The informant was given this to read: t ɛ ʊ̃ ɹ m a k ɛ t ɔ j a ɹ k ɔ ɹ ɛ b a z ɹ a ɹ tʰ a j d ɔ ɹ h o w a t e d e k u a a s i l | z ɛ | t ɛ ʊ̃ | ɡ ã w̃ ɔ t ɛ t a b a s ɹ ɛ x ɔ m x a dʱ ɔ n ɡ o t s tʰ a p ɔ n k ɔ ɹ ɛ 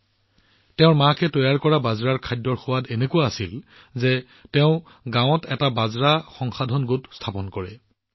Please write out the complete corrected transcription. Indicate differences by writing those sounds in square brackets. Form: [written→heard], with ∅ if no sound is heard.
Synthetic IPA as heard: t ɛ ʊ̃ ɹ m a k ɛ t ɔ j a ɹ k ɔ ɹ [ɛ→a] b a z ɹ a ɹ [tʰ→kʰ] a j d ɔ ɹ [h→x] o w a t e [d→n] e k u a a s i l | z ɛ | t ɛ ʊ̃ | ɡ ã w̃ ɔ t ɛ t a b a [s→z] ɹ [ɛ→a] x ɔ [m→ŋ] x a dʱ ɔ n ɡ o t s tʰ a p ɔ n k ɔ ɹ ɛ